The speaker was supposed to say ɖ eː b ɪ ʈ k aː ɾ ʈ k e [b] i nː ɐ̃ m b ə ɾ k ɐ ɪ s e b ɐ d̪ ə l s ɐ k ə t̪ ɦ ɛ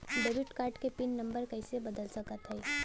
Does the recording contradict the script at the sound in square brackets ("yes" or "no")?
yes